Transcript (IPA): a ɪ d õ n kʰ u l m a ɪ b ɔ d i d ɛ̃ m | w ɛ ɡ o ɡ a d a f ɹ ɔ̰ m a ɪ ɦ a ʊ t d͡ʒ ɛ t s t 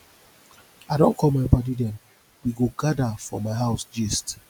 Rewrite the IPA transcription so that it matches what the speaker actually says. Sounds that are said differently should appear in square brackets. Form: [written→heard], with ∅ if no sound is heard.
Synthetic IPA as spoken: a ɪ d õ n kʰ [u→ɔ] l m a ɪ b ɔ d i d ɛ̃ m | w [ɛ→i] ɡ o ɡ a d a f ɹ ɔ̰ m a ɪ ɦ a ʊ [t→s] d͡ʒ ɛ [t→∅] s t